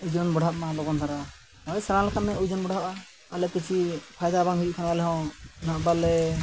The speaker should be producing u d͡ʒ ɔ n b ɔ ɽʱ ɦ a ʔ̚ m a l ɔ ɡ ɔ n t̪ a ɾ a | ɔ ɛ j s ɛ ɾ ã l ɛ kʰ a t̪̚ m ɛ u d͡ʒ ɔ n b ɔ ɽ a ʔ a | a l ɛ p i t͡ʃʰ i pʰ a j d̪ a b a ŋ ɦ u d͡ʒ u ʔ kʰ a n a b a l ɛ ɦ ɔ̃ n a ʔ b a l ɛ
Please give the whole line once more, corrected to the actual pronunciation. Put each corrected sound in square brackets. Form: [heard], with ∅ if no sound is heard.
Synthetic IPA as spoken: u d͡ʒ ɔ n b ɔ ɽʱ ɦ a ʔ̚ m a l ɔ ɡ ɔ n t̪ a ɾ a | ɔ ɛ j s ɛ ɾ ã l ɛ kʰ a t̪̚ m ɛ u d͡ʒ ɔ n b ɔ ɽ a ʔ a | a l ɛ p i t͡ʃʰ i pʰ a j d̪ a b a ŋ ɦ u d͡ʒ u ʔ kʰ a n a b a l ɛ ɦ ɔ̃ n a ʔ b a l ɛ